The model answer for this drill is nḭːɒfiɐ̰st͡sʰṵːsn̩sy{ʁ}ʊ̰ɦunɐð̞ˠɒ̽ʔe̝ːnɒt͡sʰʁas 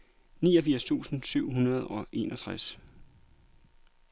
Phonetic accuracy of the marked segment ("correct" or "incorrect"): incorrect